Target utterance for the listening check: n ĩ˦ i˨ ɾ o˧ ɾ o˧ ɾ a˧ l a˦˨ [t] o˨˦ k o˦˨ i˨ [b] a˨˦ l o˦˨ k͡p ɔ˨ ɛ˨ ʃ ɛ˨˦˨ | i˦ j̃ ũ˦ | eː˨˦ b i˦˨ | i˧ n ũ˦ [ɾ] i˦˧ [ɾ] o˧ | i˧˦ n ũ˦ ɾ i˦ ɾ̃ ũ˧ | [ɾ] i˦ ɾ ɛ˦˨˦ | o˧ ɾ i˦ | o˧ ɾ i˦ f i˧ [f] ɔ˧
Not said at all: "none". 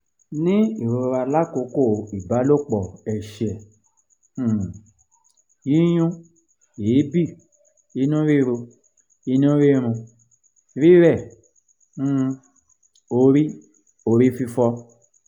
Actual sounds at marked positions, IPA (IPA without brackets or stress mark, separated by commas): k, b, ɾ, ɾ, ɾ, f